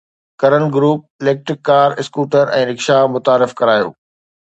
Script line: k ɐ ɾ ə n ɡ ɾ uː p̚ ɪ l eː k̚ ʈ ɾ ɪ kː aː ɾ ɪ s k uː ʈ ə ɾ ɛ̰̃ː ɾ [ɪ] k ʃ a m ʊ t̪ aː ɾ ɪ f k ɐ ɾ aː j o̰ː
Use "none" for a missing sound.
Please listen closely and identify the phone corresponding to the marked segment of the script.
ɪ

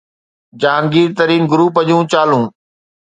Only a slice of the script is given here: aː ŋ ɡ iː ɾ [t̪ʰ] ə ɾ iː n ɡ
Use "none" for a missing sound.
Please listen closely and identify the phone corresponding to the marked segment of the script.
t̪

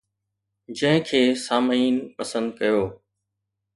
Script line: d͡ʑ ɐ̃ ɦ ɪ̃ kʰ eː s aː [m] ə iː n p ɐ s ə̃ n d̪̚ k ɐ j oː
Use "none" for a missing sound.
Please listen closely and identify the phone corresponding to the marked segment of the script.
m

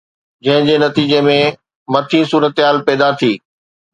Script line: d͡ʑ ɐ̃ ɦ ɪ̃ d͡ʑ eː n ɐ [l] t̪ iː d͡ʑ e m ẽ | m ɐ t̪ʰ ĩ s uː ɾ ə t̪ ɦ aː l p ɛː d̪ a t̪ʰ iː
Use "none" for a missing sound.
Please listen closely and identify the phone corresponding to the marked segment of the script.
none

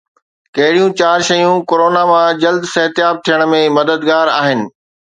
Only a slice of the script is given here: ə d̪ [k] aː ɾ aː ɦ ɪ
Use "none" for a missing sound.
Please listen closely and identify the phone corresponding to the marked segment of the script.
ɡ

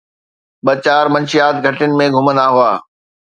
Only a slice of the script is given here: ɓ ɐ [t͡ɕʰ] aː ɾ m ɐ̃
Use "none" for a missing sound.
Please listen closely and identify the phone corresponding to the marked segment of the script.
t͡ɕ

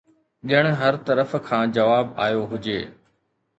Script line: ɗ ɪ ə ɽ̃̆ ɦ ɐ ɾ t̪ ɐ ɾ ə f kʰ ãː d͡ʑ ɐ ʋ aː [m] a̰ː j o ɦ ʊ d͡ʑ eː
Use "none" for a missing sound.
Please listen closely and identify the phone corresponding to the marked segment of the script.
b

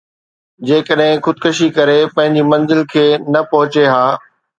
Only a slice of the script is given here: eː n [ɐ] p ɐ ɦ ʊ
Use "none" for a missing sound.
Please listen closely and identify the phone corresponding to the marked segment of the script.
ɐ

